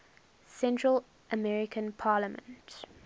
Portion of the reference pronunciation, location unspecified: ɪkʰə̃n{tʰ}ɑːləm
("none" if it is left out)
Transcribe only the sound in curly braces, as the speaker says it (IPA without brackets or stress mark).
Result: pʰ